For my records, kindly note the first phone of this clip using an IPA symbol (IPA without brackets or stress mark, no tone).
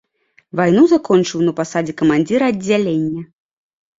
v